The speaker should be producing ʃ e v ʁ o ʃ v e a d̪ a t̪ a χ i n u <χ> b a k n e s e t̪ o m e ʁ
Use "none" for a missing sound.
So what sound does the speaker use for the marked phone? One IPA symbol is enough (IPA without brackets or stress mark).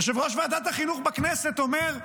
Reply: χ